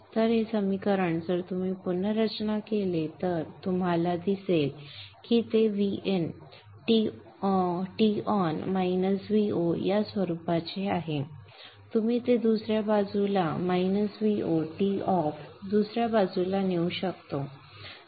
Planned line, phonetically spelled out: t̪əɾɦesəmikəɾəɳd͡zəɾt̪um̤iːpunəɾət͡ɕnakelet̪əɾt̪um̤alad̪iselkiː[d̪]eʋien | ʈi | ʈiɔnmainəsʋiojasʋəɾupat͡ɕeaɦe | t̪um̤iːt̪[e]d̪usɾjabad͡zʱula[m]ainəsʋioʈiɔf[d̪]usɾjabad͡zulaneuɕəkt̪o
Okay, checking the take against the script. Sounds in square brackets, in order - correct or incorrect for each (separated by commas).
incorrect, correct, correct, correct